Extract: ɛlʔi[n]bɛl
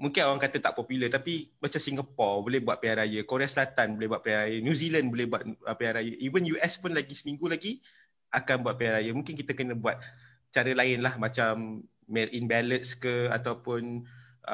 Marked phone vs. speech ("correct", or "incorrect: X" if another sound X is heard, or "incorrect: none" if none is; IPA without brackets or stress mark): correct